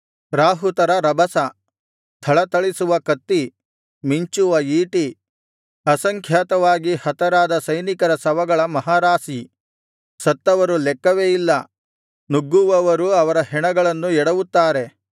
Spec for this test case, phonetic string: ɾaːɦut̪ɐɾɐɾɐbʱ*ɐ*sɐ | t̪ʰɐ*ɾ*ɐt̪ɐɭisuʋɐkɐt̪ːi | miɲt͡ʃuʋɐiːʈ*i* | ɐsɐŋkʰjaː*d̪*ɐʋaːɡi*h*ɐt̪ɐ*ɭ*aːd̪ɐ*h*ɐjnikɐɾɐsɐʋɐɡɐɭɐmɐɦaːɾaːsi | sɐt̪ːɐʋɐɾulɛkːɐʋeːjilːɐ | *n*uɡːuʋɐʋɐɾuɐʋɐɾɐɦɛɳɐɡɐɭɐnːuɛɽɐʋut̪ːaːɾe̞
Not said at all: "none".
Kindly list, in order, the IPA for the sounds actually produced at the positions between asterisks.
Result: ɐ, ɭ, i, t̪, h, ɾ, s, n

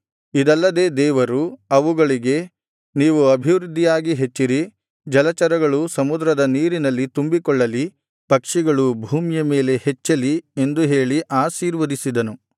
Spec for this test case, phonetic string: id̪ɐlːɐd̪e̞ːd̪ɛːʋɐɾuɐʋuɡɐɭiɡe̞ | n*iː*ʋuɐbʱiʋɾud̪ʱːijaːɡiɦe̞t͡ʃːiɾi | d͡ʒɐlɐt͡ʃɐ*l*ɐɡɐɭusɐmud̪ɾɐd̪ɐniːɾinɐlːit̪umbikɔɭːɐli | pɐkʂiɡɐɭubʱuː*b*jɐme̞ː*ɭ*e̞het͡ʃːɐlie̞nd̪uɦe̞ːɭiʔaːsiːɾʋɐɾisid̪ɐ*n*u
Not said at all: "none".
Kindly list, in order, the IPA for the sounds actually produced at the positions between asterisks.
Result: iː, ɾ, m, l, n

